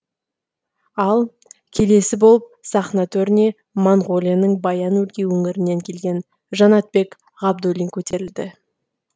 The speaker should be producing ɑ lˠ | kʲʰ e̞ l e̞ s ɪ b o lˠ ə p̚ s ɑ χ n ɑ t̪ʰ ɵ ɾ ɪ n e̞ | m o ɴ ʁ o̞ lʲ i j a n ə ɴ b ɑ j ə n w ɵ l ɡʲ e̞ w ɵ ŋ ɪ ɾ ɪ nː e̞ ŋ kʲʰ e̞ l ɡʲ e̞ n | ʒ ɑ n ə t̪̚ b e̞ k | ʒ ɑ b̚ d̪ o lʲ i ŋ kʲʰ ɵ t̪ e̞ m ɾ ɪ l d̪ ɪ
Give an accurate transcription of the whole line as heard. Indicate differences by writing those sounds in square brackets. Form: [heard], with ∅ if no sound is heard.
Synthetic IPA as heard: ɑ lˠ | kʲʰ e̞ l e̞ s ɪ b o lˠ ə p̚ s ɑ χ n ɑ t̪ʰ ɵ ɾ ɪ n e̞ | m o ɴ ʁ o̞ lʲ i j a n ə ɴ b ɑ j [ɑ] n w ɵ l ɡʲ e̞ w ɵ ŋ ɪ ɾ ɪ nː e̞ ŋ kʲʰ e̞ l ɡʲ e̞ n | ʒ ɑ n [ɑ] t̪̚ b e̞ k | [ʁ] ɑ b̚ d̪ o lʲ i ŋ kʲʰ ɵ t̪ e̞ [∅] ɾ ɪ l d̪ ɪ